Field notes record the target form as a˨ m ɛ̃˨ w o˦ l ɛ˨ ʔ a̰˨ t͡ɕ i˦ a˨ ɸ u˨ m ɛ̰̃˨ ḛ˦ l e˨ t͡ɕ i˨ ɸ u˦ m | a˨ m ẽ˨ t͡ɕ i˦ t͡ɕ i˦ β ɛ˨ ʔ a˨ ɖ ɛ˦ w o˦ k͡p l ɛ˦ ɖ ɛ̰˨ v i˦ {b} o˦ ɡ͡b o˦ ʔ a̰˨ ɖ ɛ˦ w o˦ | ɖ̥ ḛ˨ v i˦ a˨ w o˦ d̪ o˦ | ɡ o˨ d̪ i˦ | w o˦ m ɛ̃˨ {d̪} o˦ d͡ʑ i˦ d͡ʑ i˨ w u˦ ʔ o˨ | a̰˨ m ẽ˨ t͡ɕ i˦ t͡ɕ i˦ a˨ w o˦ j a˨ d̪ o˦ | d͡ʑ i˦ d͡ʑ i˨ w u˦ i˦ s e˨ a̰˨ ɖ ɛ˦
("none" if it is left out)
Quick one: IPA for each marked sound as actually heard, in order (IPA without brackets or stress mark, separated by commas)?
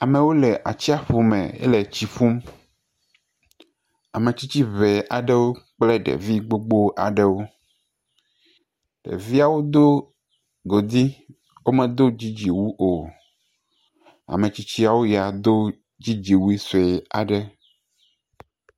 ɡ͡b, d̪